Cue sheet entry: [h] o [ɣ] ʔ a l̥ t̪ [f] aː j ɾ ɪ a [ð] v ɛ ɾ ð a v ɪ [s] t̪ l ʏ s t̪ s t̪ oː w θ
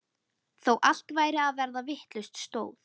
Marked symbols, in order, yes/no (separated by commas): no, no, no, yes, no